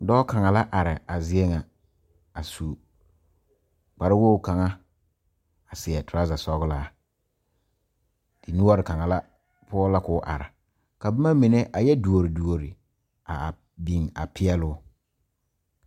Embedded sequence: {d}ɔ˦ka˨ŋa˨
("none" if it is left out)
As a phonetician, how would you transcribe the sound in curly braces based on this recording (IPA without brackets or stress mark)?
d